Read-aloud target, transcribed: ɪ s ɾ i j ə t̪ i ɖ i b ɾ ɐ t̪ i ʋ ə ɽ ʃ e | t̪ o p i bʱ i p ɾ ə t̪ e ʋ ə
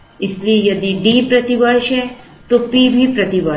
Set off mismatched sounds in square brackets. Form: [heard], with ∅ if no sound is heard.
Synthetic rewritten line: ɪ s [l] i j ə [d̪] i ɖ i [p] ɾ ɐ t̪ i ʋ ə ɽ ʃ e | t̪ o p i bʱ i p ɾ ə t̪ [i] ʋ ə